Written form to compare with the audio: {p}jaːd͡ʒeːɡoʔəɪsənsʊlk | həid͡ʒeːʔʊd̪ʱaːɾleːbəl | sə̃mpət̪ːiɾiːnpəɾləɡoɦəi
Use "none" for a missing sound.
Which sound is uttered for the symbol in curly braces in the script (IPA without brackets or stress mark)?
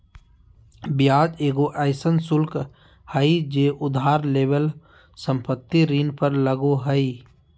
b